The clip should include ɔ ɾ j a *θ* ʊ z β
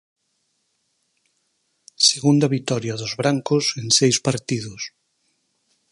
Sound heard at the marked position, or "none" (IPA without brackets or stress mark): ð